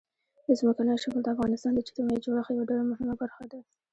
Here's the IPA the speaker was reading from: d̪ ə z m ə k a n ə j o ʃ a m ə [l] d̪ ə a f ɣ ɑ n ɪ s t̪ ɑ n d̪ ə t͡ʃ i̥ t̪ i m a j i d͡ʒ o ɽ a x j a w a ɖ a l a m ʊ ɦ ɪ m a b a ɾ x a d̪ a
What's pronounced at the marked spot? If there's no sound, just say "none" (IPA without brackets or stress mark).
l